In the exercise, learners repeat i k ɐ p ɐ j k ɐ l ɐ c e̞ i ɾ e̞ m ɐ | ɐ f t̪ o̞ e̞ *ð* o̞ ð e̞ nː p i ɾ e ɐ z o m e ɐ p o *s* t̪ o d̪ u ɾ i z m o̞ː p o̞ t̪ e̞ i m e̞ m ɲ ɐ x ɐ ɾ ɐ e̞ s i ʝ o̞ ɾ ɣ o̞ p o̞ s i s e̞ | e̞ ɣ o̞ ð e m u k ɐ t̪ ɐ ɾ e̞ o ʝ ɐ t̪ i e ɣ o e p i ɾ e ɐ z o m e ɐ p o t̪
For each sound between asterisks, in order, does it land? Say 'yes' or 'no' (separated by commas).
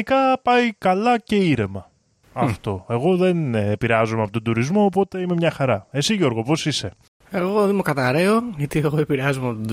no, no